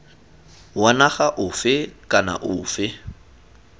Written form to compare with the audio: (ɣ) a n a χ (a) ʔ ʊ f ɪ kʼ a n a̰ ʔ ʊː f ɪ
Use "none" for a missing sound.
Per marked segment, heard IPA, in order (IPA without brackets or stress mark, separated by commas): w, a